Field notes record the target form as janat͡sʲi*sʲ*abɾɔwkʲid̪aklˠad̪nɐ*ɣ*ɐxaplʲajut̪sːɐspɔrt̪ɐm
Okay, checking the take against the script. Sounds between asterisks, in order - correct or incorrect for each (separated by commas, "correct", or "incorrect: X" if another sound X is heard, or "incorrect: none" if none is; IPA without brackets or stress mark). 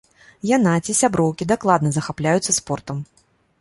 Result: correct, incorrect: z